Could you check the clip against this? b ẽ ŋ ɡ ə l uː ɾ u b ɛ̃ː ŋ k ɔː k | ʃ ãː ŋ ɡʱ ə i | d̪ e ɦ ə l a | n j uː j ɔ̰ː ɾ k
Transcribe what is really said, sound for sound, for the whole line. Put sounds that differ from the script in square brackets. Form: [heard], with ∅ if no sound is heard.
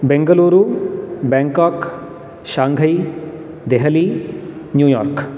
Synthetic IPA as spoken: b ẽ ŋ ɡ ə l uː ɾ u b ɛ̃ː ŋ k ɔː k | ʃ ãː ŋ ɡʱ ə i | d̪ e ɦ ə l [i] | n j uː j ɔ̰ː ɾ k